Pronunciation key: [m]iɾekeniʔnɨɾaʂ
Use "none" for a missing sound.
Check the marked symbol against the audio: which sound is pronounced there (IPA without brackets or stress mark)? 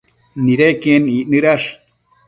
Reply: n